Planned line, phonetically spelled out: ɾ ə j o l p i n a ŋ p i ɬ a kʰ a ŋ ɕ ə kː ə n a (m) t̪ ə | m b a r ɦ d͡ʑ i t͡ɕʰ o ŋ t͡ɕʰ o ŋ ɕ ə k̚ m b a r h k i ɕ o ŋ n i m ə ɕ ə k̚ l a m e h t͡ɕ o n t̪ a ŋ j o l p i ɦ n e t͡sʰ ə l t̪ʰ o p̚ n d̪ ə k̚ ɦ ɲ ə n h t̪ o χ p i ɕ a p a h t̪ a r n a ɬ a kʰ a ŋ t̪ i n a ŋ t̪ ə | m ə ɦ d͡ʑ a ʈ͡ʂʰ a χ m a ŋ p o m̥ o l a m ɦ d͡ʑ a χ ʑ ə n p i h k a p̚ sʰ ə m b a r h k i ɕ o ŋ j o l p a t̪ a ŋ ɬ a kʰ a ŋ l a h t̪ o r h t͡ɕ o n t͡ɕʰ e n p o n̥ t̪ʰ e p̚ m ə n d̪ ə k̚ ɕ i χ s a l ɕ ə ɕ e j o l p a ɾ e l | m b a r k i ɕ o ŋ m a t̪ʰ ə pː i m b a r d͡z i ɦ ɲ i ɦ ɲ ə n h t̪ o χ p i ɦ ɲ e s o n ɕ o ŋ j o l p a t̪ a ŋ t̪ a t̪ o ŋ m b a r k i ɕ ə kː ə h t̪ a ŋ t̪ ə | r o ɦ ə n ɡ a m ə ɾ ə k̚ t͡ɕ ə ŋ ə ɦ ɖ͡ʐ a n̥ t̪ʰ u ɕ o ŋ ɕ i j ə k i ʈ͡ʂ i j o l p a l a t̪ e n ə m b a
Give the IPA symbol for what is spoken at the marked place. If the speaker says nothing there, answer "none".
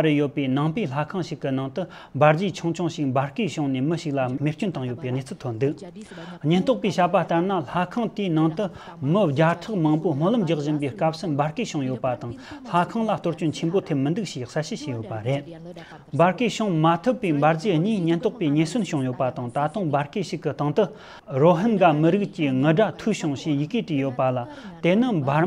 ŋ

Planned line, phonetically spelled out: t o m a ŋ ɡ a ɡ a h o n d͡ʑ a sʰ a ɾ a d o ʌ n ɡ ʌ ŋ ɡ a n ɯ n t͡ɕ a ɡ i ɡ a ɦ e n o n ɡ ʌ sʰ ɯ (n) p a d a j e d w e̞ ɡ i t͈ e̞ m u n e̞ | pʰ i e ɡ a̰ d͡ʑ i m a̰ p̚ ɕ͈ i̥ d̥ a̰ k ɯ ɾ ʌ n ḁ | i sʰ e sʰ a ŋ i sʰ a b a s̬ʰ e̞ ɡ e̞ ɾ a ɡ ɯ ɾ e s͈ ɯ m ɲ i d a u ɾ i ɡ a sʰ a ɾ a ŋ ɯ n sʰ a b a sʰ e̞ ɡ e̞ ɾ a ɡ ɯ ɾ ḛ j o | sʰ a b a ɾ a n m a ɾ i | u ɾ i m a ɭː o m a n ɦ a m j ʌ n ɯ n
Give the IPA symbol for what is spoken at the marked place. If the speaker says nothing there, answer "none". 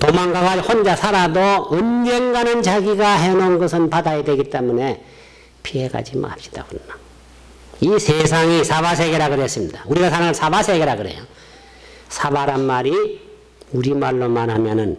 n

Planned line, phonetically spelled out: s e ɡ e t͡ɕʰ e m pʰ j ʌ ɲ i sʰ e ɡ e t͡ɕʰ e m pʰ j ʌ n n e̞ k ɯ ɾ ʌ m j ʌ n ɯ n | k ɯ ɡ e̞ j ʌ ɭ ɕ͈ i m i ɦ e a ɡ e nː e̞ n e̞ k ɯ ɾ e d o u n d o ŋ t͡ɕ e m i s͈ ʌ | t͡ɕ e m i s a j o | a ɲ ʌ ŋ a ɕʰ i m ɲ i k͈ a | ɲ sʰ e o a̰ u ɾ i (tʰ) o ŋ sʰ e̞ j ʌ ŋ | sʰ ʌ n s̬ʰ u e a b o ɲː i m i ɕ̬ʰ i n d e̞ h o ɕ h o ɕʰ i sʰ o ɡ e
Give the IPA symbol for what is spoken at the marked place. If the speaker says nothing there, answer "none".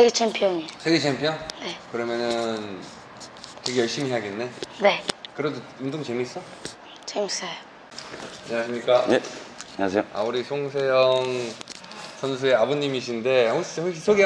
sʰ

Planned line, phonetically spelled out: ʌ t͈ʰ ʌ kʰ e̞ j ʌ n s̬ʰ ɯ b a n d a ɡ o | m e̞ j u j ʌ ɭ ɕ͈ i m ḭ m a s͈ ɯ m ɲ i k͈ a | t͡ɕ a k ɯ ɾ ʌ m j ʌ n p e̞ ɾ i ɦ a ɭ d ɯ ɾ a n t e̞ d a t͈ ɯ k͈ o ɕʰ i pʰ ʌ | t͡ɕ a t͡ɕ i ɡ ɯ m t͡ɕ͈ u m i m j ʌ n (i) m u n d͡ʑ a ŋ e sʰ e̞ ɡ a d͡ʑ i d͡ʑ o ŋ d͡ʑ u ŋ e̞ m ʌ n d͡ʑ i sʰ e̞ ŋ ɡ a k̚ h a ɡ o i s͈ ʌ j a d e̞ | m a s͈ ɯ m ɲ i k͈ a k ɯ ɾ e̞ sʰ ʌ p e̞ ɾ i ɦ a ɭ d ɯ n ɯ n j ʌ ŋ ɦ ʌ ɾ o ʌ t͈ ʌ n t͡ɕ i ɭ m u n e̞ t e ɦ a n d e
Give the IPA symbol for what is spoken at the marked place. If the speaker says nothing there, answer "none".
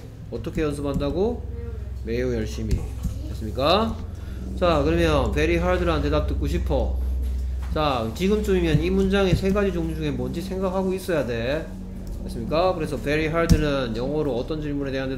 i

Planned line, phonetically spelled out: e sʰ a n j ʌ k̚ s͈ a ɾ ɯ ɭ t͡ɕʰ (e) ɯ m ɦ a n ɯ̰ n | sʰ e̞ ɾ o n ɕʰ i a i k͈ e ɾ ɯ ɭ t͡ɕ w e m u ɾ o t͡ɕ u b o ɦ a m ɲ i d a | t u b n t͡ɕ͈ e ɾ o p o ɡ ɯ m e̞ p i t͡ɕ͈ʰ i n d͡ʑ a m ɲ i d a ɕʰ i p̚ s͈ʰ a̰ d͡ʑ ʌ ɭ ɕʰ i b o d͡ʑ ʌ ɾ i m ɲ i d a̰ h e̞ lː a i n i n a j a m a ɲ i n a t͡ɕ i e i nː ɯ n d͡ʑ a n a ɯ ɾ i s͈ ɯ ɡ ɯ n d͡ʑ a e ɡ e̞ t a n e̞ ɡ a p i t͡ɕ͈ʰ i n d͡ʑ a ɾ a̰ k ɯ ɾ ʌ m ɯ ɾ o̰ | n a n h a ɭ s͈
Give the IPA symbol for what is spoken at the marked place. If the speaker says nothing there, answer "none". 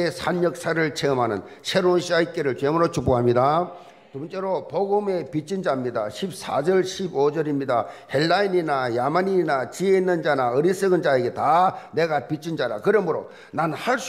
e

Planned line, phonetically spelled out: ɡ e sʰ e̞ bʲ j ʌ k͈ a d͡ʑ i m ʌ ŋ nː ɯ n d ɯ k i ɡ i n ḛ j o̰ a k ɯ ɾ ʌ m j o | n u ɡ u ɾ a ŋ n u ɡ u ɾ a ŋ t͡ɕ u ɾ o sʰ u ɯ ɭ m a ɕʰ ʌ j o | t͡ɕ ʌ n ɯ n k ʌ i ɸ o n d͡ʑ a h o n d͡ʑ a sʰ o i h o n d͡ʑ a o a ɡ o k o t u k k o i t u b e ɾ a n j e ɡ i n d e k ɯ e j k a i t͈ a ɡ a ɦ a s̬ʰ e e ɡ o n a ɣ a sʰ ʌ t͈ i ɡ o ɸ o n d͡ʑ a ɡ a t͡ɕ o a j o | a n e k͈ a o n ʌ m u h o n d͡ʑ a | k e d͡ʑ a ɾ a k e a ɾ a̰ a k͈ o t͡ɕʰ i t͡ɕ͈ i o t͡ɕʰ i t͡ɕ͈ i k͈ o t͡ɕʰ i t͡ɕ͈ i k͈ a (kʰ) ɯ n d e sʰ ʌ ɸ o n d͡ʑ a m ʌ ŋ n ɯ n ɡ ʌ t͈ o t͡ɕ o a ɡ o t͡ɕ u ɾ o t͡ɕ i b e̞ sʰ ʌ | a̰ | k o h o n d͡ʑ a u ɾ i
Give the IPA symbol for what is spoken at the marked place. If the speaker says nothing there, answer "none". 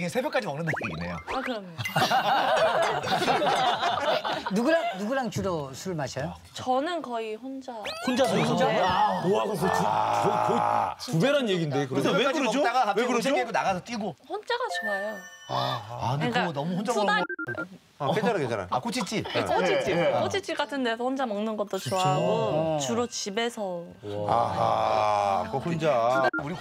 tʰ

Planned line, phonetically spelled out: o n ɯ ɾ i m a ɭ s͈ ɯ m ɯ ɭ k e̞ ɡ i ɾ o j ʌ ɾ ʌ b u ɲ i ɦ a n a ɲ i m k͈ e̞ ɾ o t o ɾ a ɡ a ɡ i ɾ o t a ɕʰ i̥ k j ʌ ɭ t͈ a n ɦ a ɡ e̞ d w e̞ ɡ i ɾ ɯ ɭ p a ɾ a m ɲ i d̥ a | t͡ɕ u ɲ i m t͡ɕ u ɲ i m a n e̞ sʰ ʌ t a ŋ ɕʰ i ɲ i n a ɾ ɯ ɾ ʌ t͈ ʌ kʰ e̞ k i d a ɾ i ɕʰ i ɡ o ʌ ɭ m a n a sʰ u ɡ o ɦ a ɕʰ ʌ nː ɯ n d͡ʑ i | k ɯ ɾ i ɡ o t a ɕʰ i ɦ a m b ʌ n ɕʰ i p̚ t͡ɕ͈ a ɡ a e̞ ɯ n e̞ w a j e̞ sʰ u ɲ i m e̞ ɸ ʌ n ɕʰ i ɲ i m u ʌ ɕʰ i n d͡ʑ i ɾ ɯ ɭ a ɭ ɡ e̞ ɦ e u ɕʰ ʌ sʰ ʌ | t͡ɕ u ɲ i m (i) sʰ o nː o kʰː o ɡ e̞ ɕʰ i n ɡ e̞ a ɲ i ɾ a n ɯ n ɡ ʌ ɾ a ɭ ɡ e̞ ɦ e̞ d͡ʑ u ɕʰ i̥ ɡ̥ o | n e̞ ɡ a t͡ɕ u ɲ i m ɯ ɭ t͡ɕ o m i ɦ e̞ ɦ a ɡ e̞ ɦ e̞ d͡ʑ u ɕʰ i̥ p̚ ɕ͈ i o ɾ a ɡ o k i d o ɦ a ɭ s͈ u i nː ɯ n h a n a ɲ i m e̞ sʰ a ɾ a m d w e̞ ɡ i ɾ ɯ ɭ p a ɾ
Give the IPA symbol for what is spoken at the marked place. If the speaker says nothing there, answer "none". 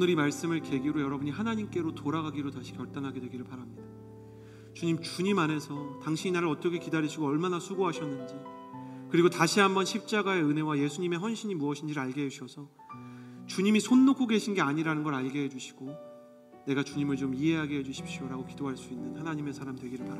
i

